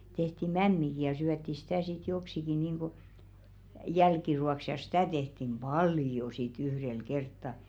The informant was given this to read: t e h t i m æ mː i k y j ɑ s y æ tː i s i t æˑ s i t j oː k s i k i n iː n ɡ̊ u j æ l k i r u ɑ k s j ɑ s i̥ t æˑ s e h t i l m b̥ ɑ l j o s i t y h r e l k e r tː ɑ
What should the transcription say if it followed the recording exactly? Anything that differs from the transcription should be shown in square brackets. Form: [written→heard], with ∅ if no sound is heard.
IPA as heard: t e h t i m æ mː i k [y→i] j ɑ s y æ tː i s i t æˑ s i t j [oː→o] k s i k i n iː [n→ŋ] ɡ̊ u j æ l k i r u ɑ k s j ɑ s i̥ t æˑ [s→t] e h t i [l→∅] m b̥ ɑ l j o s i t y h r e l k e r tː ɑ